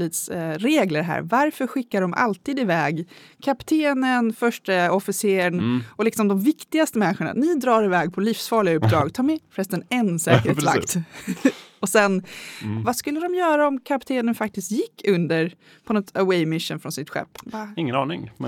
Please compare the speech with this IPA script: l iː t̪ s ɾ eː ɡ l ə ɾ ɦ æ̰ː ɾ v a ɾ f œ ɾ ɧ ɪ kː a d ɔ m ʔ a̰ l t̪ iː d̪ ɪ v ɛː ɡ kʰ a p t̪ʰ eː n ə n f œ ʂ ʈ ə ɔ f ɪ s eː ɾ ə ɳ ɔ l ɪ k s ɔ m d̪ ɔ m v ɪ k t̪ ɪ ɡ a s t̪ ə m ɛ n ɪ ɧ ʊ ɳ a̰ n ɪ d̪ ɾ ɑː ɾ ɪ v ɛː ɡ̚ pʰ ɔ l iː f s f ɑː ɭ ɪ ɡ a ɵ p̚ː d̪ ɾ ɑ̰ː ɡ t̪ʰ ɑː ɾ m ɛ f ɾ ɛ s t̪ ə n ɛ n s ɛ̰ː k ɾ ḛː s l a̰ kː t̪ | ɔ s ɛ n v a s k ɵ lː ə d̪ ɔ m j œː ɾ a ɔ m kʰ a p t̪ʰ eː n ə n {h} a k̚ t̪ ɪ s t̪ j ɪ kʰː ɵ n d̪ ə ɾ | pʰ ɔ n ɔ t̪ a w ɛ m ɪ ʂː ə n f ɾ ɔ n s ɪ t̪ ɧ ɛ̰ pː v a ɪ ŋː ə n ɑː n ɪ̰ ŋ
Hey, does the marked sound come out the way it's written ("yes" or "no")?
no